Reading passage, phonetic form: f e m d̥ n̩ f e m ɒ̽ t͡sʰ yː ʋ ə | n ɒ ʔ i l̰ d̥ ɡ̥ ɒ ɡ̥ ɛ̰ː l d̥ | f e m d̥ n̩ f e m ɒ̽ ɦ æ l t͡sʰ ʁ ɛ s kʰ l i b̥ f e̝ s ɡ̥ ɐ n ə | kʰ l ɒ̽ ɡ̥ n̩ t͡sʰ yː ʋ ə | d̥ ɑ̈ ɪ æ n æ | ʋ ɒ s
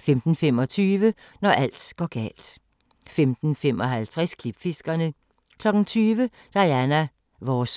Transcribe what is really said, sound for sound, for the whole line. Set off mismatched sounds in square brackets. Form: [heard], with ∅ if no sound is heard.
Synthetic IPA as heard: f e m d̥ n̩ f e m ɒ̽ t͡sʰ yː ʋ ə | n ɒ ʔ [æ] l̰ d̥ ɡ̥ ɒ ɡ̥ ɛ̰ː l d̥ | f e m d̥ n̩ f e m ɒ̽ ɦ æ l t͡sʰ ʁ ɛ s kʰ l i b̥ f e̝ s ɡ̥ ɐ n ə | kʰ l ɒ̽ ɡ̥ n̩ t͡sʰ yː ʋ ə | d̥ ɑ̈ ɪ æ n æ | ʋ ɒ s